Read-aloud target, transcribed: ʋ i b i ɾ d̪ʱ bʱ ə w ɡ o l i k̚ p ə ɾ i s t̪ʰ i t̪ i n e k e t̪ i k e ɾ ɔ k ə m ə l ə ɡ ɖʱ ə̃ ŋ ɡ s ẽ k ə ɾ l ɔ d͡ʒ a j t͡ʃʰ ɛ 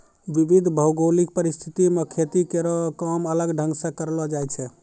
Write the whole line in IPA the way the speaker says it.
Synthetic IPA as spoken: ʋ i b i d̪ʱ bʱ ə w ɡ o l i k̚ p ə ɾ i s t̪ʰ i t̪ i m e kʰ e t̪ i k e ɾ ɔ k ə m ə l ə ɡ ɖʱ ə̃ ŋ ɡ s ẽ k ə ɾ l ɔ d͡ʒ a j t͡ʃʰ ɛ